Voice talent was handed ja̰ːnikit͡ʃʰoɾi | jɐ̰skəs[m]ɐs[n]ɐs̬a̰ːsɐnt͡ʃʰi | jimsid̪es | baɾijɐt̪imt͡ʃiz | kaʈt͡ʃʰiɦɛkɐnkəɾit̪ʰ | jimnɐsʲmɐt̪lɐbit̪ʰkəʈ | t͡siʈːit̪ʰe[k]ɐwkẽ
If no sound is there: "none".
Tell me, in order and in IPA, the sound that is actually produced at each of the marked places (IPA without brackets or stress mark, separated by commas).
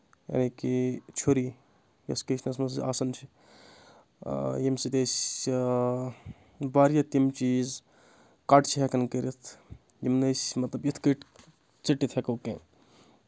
n, m, k